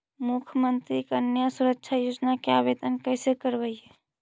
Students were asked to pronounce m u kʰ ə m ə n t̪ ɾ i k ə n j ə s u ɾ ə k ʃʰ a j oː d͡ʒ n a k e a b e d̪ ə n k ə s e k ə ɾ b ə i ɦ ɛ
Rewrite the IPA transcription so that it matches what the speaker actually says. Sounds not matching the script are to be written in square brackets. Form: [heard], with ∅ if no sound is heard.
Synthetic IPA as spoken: m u kʰ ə m ə n t̪ ɾ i k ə n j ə s u ɾ ə k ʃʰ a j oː d͡ʒ n a k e a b e d̪ ə n k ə s e k ə ɾ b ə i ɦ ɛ